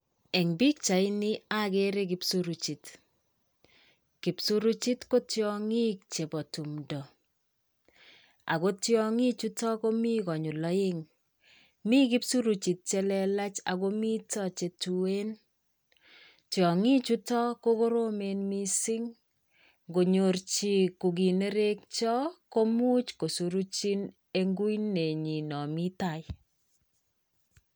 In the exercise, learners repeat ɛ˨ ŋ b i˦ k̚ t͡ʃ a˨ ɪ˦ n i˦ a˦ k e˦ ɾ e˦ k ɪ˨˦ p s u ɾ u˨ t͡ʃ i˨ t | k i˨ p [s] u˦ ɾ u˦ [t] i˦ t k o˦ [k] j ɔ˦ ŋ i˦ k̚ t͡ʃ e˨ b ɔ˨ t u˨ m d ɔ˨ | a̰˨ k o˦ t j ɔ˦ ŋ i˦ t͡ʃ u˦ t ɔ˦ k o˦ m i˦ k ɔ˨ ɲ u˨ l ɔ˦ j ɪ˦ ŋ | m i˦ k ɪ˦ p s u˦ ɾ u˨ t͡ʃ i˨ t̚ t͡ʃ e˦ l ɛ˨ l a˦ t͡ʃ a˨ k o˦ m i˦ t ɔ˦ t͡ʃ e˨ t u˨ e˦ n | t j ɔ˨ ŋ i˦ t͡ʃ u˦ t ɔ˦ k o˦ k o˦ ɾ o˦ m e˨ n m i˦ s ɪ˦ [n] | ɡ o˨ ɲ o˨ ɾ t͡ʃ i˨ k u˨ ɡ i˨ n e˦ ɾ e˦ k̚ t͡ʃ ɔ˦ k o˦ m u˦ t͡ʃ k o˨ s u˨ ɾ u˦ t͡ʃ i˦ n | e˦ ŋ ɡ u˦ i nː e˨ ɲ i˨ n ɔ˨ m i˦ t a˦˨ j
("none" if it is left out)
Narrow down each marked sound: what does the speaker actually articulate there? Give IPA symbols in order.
s, t͡ʃ, t, ŋ

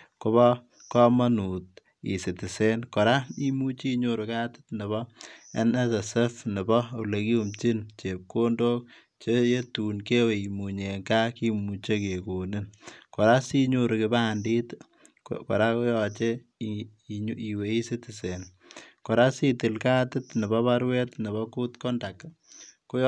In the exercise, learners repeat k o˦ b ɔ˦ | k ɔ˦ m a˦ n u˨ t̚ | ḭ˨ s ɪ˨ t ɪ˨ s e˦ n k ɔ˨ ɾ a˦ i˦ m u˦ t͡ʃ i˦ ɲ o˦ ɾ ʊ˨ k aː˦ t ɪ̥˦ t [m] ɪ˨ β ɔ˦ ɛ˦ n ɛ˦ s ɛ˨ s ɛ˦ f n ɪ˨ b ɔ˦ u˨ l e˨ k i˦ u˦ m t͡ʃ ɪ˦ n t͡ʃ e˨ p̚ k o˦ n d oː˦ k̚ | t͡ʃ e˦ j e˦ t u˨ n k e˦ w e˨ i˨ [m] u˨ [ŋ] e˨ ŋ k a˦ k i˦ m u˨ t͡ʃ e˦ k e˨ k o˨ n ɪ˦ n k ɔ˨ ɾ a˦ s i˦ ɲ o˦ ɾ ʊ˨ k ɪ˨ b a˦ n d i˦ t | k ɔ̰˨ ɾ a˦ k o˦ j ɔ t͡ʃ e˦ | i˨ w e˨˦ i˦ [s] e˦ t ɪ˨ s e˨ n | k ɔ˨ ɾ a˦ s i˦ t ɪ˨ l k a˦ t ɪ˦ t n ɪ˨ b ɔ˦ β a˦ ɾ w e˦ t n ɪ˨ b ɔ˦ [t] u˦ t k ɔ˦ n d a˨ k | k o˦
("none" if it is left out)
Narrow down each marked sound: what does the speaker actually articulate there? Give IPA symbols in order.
n, m, ɲ, s, k

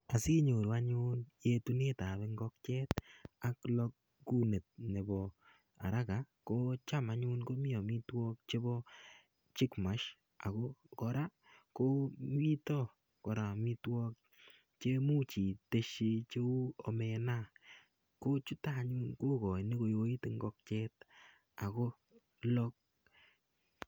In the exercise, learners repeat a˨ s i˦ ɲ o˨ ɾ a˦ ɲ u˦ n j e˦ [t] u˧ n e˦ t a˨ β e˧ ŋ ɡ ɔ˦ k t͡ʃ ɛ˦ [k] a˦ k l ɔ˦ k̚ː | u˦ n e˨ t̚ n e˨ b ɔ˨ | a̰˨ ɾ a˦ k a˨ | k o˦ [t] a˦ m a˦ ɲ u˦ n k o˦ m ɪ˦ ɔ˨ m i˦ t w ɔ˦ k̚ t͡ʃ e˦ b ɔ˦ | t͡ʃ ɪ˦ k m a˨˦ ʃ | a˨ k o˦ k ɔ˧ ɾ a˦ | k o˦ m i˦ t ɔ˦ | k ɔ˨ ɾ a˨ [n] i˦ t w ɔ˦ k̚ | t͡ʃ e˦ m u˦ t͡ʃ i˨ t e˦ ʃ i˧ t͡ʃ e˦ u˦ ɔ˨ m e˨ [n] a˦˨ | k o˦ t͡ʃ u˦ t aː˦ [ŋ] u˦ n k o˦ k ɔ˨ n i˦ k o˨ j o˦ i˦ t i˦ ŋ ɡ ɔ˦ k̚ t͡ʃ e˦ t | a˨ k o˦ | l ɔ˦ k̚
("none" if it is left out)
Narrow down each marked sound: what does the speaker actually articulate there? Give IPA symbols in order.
t, t, t͡ʃ, m, n, ɲ

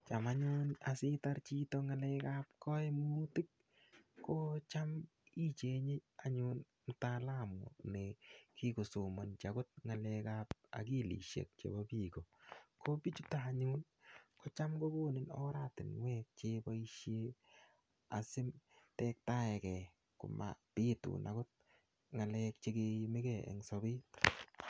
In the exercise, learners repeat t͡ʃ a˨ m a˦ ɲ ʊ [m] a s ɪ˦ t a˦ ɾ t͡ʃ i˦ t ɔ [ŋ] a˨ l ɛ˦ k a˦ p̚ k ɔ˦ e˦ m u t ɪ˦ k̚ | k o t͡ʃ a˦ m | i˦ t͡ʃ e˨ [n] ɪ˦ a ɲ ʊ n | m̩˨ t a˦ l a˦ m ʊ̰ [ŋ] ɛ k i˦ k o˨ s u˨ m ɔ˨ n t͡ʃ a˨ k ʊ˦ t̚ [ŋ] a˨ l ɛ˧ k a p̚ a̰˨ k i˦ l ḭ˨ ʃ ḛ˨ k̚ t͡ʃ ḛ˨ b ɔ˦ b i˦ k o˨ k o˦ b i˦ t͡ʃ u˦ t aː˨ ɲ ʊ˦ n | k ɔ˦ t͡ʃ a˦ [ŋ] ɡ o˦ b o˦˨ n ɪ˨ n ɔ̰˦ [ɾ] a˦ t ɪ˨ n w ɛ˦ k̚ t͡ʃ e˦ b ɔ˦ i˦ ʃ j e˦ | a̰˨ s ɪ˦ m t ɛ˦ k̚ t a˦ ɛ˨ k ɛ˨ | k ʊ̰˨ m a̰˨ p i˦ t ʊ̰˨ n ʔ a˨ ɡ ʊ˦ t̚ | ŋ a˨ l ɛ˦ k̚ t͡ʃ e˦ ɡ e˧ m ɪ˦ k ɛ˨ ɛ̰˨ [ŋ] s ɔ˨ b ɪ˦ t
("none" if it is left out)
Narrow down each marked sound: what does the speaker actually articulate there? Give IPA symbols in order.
n, ŋ, ɲ, n, ŋ, m, ɾ, ŋ

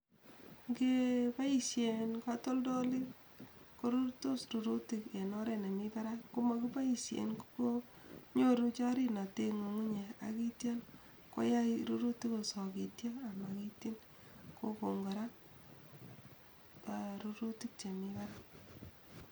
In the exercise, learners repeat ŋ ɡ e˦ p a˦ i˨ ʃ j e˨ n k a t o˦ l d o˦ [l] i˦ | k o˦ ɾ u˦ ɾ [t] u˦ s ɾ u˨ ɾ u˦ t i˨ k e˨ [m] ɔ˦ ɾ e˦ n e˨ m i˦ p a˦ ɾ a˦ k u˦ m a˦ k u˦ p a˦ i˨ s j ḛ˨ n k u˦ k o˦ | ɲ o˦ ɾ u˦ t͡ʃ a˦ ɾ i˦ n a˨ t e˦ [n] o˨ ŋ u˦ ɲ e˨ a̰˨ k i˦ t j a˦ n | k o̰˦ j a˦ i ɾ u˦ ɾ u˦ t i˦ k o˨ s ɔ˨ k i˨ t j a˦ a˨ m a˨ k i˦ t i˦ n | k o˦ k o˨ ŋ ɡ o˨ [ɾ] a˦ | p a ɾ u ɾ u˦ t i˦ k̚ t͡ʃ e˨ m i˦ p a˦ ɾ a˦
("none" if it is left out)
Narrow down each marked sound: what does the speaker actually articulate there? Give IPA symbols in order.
l, t, n, ŋ, ɾ

